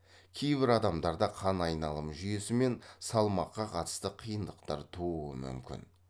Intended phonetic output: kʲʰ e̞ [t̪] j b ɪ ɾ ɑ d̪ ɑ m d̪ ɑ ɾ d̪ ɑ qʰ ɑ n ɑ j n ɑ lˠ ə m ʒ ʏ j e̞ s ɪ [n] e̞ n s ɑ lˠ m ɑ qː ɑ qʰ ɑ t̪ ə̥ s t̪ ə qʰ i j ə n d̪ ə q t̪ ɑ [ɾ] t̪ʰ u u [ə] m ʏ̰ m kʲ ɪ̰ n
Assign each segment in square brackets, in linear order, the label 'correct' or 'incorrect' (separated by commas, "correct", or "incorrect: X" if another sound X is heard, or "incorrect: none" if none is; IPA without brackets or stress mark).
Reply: incorrect: none, incorrect: m, correct, correct